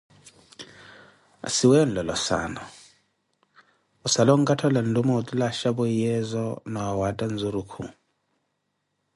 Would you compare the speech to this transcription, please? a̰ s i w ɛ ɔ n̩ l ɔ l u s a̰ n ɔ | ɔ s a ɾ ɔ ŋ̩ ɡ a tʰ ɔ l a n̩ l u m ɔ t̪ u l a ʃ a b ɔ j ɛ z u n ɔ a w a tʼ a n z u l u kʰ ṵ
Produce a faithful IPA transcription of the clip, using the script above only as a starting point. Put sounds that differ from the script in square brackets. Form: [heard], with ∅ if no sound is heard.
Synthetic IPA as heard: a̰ s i w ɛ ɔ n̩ l ɔ l [ɔ] s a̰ n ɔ | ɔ s a [l] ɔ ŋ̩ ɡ a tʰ ɔ l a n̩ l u m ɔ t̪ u l a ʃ a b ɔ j ɛ z [ɔ] n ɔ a w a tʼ a n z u [ɾ] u kʰ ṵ